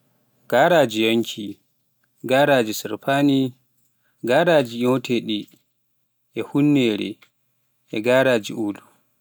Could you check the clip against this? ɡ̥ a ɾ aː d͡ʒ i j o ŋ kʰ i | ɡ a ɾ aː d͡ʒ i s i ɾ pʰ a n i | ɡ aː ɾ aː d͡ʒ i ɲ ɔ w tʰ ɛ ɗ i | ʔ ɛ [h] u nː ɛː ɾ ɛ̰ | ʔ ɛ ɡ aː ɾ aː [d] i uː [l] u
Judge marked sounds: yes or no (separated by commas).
yes, no, yes